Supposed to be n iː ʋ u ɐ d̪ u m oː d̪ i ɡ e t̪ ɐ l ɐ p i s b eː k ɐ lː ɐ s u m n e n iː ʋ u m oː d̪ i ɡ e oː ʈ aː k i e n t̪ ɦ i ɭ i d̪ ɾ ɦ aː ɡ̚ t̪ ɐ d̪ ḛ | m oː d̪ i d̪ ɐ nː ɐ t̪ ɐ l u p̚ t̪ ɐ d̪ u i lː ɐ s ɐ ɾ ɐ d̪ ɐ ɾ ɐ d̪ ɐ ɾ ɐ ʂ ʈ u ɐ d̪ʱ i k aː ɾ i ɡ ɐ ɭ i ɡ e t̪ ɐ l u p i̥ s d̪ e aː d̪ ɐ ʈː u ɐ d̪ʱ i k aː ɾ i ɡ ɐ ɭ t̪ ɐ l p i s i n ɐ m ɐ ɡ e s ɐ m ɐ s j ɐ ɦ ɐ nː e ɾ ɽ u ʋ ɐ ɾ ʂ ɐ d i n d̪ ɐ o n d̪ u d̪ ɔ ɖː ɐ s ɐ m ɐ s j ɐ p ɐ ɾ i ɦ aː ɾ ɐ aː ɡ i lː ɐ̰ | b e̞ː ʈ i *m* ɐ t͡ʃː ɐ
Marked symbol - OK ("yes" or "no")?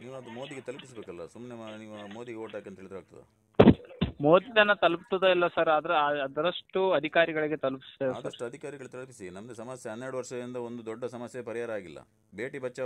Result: no